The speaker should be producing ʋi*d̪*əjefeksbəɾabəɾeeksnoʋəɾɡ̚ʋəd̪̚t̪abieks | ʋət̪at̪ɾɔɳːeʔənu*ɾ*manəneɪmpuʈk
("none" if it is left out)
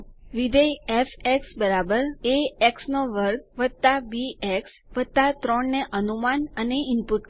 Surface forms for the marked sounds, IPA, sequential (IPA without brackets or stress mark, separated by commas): d̪, none